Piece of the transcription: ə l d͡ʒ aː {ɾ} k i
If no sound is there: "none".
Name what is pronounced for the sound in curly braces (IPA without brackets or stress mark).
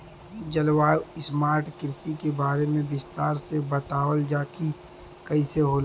none